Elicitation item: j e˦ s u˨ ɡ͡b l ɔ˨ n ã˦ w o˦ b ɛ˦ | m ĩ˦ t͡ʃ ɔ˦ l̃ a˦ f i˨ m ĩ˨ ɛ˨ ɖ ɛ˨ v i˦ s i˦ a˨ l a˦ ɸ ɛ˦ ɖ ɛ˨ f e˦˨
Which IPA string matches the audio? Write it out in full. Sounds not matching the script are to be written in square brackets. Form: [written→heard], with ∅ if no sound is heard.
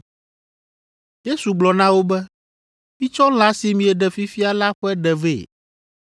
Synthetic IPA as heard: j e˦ s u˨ ɡ͡b l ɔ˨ n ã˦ w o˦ b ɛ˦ | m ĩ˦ t͡ʃ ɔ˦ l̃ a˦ [f→s] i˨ m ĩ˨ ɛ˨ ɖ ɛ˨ [v→f] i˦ [s→f] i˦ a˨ l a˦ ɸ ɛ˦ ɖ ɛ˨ [f→v] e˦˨